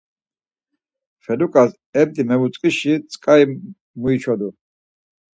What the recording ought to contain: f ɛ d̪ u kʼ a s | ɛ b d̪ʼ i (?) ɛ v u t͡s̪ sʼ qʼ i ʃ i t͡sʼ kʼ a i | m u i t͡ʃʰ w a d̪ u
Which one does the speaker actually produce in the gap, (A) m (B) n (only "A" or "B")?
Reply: A